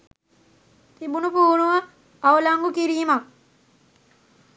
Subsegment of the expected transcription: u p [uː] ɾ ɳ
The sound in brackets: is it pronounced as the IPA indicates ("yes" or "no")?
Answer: yes